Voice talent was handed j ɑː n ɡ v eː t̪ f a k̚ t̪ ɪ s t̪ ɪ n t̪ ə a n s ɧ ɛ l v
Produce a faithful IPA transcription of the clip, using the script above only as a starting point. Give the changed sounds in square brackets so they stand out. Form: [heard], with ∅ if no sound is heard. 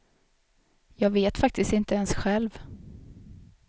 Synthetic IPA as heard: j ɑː [∅] ɡ v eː t̪ f a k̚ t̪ ɪ s t̪ ɪ n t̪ ə [ɛ] n s ɧ ɛ l v

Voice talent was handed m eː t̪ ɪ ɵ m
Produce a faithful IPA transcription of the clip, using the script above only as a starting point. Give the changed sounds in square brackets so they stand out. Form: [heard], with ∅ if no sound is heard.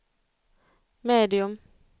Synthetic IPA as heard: m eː [d̪] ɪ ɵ m

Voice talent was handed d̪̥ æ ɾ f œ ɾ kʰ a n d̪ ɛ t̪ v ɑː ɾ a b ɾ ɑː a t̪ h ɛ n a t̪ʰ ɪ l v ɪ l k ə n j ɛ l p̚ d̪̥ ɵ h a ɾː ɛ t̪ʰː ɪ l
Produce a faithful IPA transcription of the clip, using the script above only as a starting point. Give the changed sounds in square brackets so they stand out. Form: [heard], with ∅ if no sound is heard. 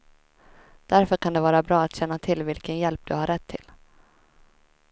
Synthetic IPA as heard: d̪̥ æ ɾ f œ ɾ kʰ a n d̪ ɛ [∅] v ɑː ɾ a b ɾ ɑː a t̪ [ɕ] ɛ [nː] a t̪ʰ ɪ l v ɪ l k ə n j ɛ l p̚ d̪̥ ɵ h a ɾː ɛ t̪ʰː ɪ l

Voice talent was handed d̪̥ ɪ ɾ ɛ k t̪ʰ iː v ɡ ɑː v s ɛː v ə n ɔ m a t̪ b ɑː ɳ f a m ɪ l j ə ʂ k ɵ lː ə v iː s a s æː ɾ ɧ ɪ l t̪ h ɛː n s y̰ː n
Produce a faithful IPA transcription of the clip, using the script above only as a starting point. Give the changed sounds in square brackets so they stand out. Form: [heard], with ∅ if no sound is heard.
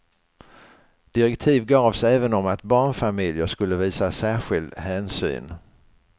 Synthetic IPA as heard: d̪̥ ɪ ɾ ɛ k t̪ʰ iː v ɡ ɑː v s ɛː v ə n ɔ m a t̪ b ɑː ɳ f a m ɪ l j ə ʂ k ɵ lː ə v iː s a s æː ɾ ɧ ɪ l [d̪] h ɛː n s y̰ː n

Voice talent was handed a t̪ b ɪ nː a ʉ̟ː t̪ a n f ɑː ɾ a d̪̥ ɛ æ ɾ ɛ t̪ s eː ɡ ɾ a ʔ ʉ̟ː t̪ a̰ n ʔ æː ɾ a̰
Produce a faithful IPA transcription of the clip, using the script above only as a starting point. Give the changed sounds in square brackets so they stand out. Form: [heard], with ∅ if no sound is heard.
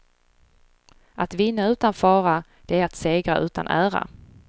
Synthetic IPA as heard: a t̪ [v] ɪ nː a ʉ̟ː t̪ a n f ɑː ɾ a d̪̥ ɛ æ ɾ [a] t̪ s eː ɡ ɾ a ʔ ʉ̟ː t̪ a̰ n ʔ æː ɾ a̰

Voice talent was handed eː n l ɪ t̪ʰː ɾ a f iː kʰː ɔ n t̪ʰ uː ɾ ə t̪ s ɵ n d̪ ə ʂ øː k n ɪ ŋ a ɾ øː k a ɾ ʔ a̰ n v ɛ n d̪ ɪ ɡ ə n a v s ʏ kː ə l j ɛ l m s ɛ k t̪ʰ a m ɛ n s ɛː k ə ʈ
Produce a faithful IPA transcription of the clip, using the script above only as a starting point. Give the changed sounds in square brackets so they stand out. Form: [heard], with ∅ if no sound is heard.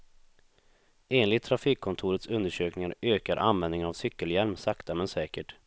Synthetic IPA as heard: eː n l ɪ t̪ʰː ɾ a f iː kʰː ɔ n t̪ʰ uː ɾ ə t̪ s ɵ n d̪ ə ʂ øː k n ɪ ŋ a ɾ øː k a ɾ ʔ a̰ n v ɛ n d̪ ɪ [ŋ] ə n a v s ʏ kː ə l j ɛ l m s [a] k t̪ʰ a m ɛ n s ɛː k ə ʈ

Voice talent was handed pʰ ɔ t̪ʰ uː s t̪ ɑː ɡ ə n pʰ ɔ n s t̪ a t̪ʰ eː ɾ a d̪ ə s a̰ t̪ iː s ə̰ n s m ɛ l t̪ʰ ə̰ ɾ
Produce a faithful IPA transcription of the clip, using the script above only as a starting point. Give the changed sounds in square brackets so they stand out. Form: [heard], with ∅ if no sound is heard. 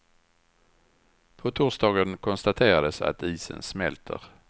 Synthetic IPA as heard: pʰ ɔ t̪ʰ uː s [d̪] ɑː ɡ ə n [kʰ] ɔ n s t̪ a t̪ʰ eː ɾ a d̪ ə s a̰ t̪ iː s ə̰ n s m ɛ l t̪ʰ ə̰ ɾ

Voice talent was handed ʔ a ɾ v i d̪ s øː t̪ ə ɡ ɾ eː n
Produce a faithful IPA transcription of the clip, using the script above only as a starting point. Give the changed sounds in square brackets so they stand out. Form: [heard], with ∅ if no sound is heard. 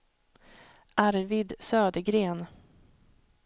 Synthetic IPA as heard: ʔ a ɾ v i d̪ s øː [d̪] ə ɡ ɾ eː n

